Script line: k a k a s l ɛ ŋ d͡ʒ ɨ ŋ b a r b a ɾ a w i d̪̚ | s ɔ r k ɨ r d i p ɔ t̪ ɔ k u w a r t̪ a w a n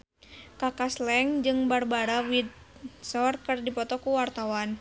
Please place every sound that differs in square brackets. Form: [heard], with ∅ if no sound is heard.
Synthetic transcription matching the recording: k a k a s l ɛ ŋ d͡ʒ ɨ ŋ b a r b a ɾ a w i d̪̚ | s ɔ r k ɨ r d i p ɔ t̪ ɔ k u w a r t̪ a w a n